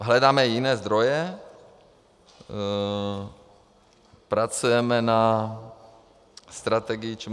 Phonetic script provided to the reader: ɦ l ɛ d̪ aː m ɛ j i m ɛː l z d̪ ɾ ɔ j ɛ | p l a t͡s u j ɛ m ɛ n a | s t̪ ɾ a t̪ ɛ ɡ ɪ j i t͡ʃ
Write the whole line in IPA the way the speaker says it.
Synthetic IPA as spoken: ɦ l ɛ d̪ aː m ɛ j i n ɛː z d̪ ɾ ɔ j ɛ | p ɾ a t͡s u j ɛ m ɛ n a | s t̪ ɾ a t̪ ɛ ɡ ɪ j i t͡ʃ